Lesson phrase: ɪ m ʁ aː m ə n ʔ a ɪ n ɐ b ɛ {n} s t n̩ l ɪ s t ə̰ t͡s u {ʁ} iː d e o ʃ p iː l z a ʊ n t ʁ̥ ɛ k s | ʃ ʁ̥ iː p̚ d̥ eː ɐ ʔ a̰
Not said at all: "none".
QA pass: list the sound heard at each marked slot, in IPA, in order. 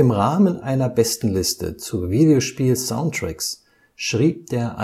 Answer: none, v

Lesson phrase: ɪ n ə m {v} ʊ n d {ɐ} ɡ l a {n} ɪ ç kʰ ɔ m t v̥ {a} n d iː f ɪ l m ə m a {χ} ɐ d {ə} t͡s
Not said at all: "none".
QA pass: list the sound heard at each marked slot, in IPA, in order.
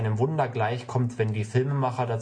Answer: v, ɐ, none, ɛ, χ, a

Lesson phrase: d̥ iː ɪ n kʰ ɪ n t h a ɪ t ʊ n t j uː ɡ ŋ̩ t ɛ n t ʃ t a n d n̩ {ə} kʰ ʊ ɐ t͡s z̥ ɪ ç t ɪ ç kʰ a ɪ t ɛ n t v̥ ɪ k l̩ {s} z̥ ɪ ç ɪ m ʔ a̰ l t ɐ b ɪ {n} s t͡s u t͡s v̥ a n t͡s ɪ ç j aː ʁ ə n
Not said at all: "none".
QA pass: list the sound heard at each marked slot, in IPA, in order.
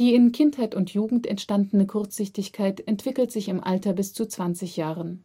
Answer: ə, t, none

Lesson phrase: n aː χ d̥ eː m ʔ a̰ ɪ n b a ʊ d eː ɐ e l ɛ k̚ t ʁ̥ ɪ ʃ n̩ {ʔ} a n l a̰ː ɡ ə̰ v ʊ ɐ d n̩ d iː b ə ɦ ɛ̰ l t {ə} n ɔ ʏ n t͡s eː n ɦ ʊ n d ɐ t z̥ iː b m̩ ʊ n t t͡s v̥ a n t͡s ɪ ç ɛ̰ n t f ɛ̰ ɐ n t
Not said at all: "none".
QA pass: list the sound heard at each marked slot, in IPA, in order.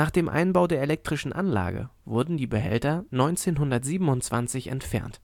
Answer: ʔ, ɐ

